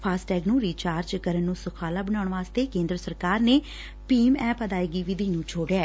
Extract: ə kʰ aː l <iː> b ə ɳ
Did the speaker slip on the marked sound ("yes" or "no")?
yes